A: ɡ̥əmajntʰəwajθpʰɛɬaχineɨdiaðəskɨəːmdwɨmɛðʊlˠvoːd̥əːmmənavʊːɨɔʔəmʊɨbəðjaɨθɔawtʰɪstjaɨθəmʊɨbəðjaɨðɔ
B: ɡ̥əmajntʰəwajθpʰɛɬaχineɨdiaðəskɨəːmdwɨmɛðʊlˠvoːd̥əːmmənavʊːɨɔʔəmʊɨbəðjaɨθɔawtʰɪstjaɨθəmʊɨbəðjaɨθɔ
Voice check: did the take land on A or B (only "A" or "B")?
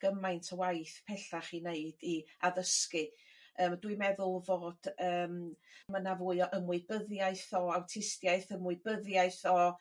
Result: B